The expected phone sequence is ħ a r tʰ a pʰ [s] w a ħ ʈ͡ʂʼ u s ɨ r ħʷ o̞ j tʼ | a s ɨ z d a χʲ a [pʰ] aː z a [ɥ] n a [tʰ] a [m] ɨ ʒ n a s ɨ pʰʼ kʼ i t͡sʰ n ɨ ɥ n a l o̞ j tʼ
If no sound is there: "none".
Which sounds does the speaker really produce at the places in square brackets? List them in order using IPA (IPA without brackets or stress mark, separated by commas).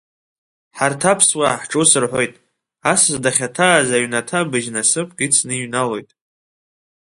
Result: s, tʰ, ɥ, tʰ, b